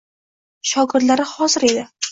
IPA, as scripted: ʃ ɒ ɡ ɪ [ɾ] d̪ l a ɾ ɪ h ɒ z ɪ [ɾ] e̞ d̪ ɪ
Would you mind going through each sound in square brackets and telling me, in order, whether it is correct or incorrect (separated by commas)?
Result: correct, correct